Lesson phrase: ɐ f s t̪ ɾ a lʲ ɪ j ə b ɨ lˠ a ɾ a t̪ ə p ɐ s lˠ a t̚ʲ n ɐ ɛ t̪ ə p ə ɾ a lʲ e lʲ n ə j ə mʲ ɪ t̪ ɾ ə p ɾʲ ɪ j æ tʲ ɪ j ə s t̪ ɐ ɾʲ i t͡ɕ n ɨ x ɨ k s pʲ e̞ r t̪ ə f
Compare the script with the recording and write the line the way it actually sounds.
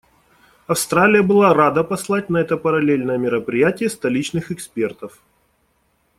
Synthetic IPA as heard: ɐ f s t̪ ɾ a lʲ ɪ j ə b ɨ lˠ a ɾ a d̪ ə p ɐ s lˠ a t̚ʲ n ɐ ɛ t̪ ə p ə ɾ ɐ lʲ e lʲ n ə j ə mʲ ɪ ɾ ə p ɾʲ ɪ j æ tʲ ɪ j ə s t̪ ɐ lʲ i t͡ɕ n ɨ x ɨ k s pʲ e̞ r t̪ ə f

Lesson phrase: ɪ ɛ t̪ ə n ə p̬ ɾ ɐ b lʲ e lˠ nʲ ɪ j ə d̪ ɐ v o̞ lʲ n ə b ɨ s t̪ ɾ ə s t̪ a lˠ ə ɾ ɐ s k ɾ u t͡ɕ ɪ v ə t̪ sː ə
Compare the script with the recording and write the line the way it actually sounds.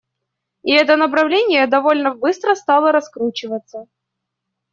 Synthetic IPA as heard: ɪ ɛ t̪ ə n ə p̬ ɾ ɐ v lʲ e nʲ ɪ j ə d̪ ɐ v o̞ lʲ n ə b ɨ s t̪ ɾ ə s t̪ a lˠ ə ɾ ɐ s k ɾ u t͡ɕ ɪ v ə t̪ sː ə

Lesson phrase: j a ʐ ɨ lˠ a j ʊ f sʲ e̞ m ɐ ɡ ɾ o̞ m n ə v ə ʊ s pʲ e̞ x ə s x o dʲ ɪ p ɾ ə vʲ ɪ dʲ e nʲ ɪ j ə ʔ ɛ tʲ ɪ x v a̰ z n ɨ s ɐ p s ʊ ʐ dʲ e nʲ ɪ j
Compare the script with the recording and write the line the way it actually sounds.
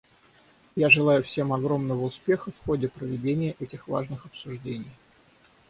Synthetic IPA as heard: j a ʐ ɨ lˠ a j ʊ f sʲ e̞ m ɐ ɡ ɾ o̞ m n ə v ə ʊ s pʲ e̞ x ə f x o dʲ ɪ p ɾ ə vʲ ɪ dʲ e nʲ ɪ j ə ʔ ɛ tʲ ɪ x v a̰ ʐ n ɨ x ɐ p s ʊ ʐ dʲ e nʲ ɪ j

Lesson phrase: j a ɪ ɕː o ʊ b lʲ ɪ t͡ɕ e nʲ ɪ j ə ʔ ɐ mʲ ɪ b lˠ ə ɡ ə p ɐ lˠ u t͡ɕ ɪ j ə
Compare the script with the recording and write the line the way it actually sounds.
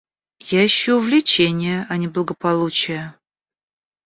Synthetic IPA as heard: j a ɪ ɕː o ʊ v lʲ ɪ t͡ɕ e nʲ ɪ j ə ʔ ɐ nʲ ɪ b lˠ ə ɡ ə p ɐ lˠ u t͡ɕ ɪ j ə

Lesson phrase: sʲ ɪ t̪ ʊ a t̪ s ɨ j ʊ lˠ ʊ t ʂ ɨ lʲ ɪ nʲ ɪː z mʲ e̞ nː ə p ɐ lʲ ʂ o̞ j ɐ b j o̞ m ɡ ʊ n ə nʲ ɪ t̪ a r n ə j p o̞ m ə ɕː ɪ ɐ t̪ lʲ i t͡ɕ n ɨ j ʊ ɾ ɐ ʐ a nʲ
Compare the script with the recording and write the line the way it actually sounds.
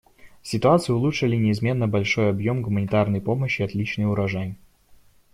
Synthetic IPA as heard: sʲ ɪ t̪ ʊ a t̪ s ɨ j ʊ lˠ u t ʂ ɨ lʲ ɪ nʲ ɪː z mʲ e̞ nː ə b ɐ lʲ ʂ o̞ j ɐ b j o̞ m ɡ ʊ m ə nʲ ɪ t̪ a r n ə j p o̞ m ə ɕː ɪ ɐ t̪ lʲ i t͡ɕ n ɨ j ʊ ɾ ɐ ʐ a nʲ

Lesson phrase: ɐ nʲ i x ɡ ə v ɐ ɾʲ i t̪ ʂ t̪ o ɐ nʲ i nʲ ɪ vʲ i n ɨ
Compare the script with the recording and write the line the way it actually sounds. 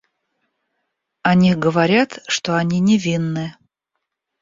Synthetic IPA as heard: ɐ nʲ i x ɡ ə v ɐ ɾʲ a t̪ ʂ t̪ o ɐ nʲ i nʲ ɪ vʲ i nː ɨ

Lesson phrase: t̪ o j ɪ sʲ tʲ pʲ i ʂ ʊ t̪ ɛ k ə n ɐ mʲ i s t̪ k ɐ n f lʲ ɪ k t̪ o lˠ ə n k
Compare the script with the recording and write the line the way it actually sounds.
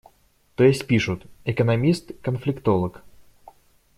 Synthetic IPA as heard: t̪ o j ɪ sʲ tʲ pʲ i ʂ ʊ t̪ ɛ k ə n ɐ mʲ i s t̪ k ə n f lʲ ɪ k t̪ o lˠ ə k

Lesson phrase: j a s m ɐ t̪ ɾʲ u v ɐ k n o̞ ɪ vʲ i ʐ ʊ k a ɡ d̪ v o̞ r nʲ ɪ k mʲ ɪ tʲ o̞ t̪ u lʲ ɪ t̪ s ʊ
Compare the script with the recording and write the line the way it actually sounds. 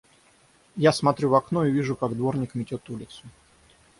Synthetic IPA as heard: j a s m ɐ t̪ ɾʲ u v ɐ k n o̞ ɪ vʲ i ʐ ʊ k a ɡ d̪ v o̞ r nʲ ɪ k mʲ ɪ tʲ o̞ t̪ u lʲ ɪ t̪ s ʊ

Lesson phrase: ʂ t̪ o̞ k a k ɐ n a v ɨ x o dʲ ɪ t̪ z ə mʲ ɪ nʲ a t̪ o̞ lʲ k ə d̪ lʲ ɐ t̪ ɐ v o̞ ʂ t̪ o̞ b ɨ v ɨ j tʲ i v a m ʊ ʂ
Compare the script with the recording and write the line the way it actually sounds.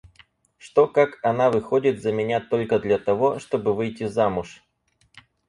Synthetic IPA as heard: ʂ t̪ o̞ k a k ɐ n a v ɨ x o dʲ ɪ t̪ z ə mʲ ɪ nʲ a t̪ o̞ lʲ k ə d̪ lʲ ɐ t̪ ɐ v o̞ ʂ t̪ o̞ b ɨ v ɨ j tʲ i z a m ʊ ʂ

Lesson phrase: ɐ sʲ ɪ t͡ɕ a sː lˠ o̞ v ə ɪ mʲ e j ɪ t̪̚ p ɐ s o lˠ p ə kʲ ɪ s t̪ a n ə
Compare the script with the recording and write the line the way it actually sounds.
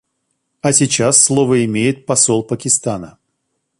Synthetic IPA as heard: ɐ sʲ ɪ t͡ɕ a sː lˠ o̞ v ə ɪ mʲ e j ɪ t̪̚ p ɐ s o lˠ p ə kʲ ɪ s t̪ a n ə

